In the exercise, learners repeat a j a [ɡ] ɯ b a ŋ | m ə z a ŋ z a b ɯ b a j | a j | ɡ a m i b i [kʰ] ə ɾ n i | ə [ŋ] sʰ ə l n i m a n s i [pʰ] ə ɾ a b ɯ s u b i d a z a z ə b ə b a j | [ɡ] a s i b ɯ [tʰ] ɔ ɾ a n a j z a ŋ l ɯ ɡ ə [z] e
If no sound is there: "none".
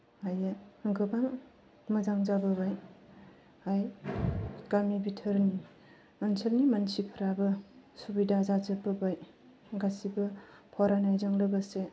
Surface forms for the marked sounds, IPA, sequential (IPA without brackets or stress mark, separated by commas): ɡ, tʰ, n, pʰ, ɡ, pʰ, s